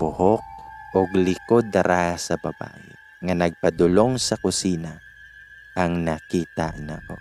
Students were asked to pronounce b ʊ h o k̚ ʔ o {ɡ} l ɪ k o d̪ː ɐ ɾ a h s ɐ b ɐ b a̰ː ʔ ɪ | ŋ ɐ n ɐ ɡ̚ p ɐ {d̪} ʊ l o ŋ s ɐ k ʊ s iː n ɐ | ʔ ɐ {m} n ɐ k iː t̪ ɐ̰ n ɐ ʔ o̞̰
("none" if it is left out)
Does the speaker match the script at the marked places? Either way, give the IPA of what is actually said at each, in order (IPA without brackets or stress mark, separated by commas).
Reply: ɡ, d̪, ŋ